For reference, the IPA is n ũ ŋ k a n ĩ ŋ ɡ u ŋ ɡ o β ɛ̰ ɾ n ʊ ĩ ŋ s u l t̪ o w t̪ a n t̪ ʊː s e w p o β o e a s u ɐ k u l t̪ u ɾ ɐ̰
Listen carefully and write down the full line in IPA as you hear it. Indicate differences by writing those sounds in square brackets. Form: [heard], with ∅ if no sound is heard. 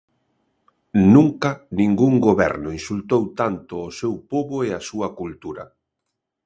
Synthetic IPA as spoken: n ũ ŋ k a n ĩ ŋ ɡ u ŋ ɡ o β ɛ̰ ɾ n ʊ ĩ [n] s u l t̪ o w t̪ a n t̪ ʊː s e w p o β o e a s u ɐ k u l t̪ u ɾ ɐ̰